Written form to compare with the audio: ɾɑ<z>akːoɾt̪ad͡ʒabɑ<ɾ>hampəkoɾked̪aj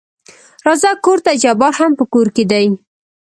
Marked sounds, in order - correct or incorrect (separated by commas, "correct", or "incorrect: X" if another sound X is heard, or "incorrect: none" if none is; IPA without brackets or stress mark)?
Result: correct, correct